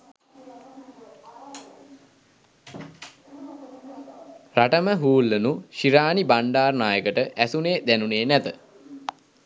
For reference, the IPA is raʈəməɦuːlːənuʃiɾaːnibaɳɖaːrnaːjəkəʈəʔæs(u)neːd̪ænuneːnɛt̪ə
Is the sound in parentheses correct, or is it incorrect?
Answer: correct